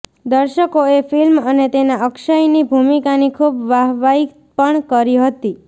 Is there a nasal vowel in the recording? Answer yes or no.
no